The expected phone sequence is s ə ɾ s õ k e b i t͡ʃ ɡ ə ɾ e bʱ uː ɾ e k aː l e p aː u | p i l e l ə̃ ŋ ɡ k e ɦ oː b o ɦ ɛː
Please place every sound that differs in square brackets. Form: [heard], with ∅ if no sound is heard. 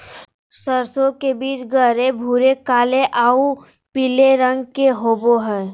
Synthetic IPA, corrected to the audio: s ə ɾ s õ k e b [iː] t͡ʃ ɡ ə ɾ e bʱ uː ɾ e k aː l e [ʔ] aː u | p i l e [ɾ] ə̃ ŋ ɡ k e ɦ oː b o ɦ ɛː